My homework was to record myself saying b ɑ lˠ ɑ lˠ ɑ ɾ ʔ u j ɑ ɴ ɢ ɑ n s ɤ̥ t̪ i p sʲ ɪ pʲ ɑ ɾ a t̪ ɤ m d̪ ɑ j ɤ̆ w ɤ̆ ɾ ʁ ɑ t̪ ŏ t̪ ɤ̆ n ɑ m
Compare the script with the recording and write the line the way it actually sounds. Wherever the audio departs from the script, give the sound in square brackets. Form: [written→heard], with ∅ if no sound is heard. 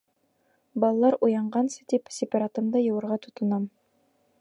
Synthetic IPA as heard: b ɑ lˠ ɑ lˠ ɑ ɾ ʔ u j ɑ ɴ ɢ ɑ n s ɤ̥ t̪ i p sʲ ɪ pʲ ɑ ɾ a t̪ ɤ m d̪ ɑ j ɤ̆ w ɤ̆ ɾ ʁ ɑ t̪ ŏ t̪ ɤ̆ n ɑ m